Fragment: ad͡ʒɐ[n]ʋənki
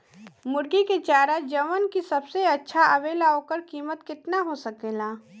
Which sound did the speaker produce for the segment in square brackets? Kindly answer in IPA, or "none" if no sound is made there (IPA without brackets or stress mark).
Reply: none